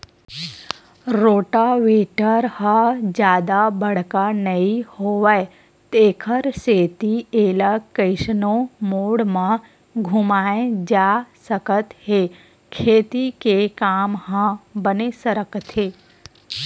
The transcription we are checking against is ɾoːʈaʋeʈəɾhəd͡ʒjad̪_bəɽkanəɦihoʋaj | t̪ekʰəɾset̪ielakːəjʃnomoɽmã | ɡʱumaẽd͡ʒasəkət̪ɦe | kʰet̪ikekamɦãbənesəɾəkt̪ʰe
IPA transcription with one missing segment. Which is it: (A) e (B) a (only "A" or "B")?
B